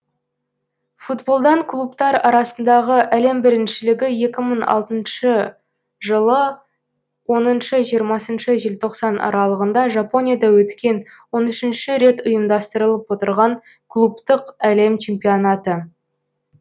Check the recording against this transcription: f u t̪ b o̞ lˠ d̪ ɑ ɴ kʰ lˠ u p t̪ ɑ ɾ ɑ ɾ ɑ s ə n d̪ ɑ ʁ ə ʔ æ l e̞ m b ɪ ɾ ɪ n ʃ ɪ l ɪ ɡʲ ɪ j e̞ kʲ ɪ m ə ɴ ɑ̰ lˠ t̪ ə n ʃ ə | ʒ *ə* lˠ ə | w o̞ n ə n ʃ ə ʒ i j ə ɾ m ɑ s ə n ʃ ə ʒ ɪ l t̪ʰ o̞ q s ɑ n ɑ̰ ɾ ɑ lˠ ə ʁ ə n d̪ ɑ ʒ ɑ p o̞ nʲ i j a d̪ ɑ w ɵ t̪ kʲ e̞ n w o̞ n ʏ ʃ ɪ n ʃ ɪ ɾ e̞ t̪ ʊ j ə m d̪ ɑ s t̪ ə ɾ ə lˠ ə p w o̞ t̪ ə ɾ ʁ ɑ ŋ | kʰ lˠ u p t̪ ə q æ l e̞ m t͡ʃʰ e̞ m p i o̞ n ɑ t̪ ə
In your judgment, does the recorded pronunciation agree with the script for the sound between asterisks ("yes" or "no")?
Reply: yes